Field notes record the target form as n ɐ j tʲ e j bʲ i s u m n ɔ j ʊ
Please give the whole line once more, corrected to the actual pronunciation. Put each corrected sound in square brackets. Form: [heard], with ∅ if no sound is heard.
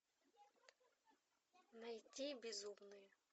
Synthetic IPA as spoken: n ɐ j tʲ [i] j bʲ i [z] u m n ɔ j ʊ